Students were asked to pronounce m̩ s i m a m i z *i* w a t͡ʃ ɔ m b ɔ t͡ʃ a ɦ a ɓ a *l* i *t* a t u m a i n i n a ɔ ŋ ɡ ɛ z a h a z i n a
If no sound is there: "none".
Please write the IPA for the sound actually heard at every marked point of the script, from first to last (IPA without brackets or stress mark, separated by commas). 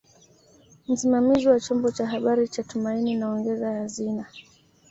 i, ɾ, t͡ʃ